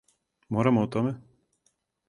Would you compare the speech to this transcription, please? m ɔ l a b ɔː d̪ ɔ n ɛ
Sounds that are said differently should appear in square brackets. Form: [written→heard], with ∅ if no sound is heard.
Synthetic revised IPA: m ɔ [l→ɾ] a [b→m] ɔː [d̪→t̪] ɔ [n→m] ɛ